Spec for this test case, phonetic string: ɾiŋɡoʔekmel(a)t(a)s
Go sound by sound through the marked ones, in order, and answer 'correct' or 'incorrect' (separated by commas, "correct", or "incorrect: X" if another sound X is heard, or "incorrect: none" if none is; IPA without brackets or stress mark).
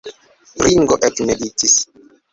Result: incorrect: i, incorrect: i